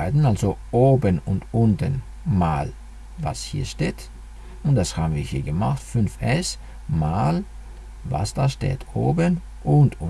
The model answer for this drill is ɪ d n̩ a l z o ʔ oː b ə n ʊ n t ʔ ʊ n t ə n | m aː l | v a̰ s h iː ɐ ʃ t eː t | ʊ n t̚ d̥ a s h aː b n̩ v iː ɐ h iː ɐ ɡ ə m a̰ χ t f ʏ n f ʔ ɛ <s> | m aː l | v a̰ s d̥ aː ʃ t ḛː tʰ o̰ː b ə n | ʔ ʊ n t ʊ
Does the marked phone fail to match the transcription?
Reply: no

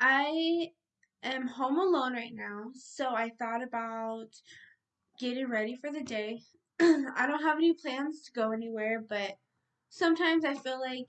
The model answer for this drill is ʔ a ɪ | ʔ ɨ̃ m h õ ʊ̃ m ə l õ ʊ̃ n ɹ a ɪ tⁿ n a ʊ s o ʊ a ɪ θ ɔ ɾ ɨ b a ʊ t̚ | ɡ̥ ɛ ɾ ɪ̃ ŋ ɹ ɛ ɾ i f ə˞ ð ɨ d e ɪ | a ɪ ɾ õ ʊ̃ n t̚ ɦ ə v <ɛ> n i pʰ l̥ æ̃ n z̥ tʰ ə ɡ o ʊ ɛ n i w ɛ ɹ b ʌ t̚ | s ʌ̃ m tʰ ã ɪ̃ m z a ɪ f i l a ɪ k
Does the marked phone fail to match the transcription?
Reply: no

